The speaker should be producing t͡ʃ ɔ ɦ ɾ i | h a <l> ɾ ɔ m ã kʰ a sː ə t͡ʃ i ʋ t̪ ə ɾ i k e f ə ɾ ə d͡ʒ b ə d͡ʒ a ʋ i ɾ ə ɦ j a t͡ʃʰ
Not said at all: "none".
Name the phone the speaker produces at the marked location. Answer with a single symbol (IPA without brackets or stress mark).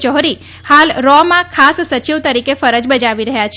l